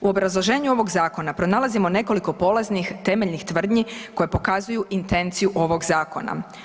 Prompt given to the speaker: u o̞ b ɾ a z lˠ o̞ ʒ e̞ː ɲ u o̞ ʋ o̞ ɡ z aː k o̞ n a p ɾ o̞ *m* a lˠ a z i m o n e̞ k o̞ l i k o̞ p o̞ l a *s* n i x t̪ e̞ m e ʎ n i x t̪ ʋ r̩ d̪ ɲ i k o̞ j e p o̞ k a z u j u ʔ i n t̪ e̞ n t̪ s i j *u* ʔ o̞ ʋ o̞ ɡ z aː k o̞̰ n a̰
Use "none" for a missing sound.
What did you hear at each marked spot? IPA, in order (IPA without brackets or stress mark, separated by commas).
n, z, u